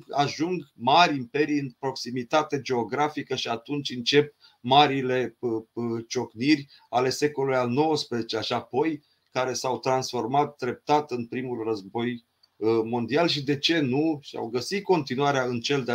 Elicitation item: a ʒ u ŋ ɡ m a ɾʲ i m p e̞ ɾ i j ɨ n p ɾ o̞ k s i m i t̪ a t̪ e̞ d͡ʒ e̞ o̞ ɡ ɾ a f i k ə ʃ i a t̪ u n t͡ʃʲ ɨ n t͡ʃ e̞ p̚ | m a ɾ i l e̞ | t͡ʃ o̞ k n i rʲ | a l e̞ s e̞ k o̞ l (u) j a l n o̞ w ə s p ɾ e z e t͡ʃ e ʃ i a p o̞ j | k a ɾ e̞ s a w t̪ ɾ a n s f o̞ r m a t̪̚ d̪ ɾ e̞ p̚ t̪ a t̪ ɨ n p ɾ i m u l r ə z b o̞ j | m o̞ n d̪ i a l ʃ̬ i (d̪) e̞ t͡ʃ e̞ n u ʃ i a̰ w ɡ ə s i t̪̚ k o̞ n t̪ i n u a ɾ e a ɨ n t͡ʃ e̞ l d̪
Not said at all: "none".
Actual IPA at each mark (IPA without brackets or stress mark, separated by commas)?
u, d̪